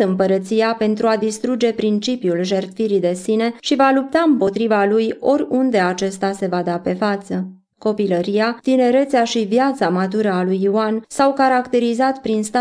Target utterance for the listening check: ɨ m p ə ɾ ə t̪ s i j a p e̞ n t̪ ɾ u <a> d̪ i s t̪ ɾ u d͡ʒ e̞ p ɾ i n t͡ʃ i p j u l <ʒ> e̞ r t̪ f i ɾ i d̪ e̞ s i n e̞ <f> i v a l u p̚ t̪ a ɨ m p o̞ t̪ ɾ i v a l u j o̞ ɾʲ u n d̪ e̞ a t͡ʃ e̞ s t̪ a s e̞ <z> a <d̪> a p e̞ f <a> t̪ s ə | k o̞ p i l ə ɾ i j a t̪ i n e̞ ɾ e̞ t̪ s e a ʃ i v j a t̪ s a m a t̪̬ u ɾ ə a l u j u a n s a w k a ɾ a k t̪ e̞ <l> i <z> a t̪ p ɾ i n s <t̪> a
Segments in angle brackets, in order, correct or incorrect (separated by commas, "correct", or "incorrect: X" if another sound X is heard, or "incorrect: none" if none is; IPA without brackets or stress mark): correct, correct, incorrect: ʃ, incorrect: v, correct, correct, incorrect: ɾ, correct, correct